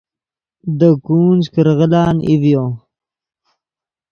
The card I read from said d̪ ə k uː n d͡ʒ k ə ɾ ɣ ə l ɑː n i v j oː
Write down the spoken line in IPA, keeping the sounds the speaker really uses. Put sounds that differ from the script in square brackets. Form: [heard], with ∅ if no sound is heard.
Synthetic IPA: d̪ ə k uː n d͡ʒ k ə ɾ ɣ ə l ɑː n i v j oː